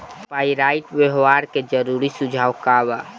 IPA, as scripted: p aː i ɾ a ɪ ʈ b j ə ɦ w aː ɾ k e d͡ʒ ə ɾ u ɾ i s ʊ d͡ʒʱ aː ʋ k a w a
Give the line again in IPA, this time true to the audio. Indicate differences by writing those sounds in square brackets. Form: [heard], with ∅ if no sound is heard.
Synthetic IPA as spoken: p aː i ɾ a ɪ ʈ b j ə ɦ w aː ɾ k e d͡ʒ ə ɾ u ɾ i s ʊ d͡ʒʱ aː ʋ k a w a